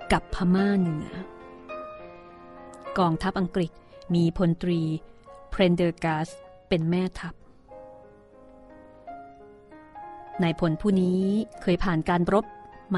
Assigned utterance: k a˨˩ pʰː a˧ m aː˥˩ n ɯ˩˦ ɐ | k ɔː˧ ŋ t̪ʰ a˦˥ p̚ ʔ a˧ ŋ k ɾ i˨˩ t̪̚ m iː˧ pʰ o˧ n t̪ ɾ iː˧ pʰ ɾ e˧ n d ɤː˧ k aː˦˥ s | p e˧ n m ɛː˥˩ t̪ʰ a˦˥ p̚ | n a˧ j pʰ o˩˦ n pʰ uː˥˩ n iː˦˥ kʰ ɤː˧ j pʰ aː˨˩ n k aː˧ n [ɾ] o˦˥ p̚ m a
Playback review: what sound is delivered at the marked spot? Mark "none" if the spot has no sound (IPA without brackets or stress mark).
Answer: ɾ